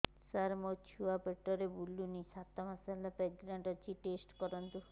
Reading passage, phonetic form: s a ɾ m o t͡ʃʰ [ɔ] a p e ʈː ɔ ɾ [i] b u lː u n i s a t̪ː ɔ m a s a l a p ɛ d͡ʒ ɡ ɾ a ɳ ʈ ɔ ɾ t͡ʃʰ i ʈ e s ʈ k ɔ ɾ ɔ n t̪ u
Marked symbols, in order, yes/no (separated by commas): no, no